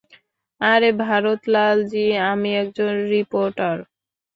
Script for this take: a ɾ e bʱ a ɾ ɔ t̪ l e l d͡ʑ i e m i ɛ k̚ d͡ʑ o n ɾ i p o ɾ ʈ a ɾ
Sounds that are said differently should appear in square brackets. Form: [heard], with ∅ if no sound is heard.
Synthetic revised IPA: a ɾ e bʱ a ɾ [o] t̪ l [a] l d͡ʑ i [a] m i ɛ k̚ d͡ʑ o n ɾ i p o ɾ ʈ a ɾ